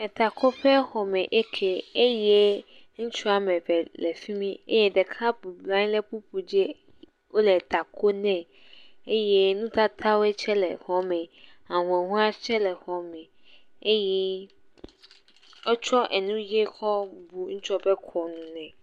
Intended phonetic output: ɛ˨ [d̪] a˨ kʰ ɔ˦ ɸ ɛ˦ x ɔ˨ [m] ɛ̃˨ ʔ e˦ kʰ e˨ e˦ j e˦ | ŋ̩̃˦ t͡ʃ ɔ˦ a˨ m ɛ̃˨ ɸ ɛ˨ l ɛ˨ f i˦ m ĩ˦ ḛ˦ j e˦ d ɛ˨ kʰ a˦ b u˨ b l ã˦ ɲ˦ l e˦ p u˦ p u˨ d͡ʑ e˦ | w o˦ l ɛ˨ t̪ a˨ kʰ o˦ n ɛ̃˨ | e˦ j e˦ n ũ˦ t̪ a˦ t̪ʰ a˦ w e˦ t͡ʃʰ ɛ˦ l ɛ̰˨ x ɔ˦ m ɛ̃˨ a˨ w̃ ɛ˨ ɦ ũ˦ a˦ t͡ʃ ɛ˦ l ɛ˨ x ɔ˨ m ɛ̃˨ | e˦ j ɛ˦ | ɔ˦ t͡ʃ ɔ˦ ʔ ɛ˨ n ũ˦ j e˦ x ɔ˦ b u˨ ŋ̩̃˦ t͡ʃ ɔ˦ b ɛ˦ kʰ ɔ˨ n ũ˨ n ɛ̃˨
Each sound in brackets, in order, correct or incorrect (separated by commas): incorrect, correct